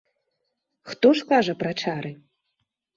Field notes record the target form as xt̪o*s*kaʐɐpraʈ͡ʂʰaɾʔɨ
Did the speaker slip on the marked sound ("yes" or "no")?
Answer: yes